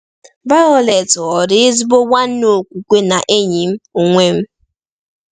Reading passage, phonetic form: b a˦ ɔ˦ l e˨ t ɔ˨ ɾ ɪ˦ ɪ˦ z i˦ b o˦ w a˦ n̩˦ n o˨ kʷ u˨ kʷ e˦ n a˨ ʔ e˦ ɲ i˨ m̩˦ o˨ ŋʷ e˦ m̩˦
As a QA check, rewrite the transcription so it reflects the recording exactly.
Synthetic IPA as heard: b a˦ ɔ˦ l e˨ t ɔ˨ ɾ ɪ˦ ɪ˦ z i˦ b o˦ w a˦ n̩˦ n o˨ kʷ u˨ kʷ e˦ n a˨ ʔ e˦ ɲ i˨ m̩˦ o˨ ŋʷ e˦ m̩˦